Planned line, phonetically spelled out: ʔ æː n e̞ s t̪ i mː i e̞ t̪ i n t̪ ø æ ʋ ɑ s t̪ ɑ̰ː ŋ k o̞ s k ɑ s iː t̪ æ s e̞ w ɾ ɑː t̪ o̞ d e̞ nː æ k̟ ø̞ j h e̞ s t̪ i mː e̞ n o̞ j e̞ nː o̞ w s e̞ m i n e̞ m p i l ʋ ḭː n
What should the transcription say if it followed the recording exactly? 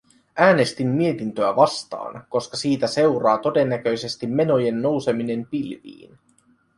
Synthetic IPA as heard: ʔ æː n e̞ s t̪ i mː i e̞ t̪ i n t̪ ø æ ʋ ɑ s t̪ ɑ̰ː n k o̞ s k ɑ s iː t̪ æ s e̞ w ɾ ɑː t̪ o̞ d e̞ nː æ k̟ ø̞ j s e̞ s t̪ i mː e̞ n o̞ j e̞ nː o̞ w s e̞ m i n e̞ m p i l ʋ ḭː n